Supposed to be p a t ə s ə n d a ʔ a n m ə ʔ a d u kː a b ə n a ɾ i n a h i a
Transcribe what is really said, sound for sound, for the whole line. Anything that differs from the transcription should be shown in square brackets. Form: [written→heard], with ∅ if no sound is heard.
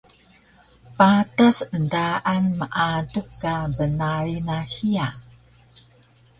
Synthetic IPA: p a t [ə→a] s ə n d a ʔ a n m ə ʔ a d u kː a b ə n a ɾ i n a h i a